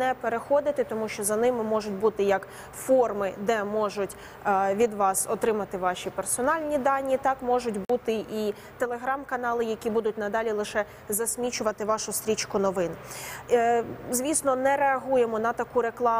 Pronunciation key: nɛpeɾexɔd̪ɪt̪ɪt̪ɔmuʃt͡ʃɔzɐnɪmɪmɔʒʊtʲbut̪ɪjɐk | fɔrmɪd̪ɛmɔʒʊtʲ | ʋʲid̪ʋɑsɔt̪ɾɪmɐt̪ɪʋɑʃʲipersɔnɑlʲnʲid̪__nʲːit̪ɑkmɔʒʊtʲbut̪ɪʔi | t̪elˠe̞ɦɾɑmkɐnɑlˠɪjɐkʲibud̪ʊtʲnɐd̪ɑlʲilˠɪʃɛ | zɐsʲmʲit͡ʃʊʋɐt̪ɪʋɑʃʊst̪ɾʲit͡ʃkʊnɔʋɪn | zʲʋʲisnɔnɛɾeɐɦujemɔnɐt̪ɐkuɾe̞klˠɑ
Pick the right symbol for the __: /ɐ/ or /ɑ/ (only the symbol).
ɑ